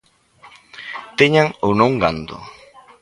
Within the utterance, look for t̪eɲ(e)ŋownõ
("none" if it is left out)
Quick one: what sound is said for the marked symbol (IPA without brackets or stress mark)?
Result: a